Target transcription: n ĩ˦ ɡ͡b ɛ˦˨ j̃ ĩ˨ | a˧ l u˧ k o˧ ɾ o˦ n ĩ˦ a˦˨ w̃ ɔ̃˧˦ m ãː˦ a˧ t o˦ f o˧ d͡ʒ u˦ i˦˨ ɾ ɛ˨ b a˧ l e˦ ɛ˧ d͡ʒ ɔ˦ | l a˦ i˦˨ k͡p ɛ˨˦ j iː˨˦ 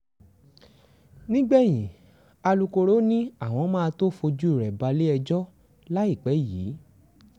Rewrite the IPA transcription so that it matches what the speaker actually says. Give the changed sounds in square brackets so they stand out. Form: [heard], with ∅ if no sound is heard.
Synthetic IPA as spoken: n ĩ˦ ɡ͡b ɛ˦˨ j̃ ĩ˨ | a˧ l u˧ k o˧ ɾ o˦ n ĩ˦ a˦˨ w̃ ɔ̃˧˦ m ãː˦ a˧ t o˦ f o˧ d͡ʒ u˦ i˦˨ ɾ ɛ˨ b a˧ l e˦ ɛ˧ d͡ʒ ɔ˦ | l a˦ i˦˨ k͡p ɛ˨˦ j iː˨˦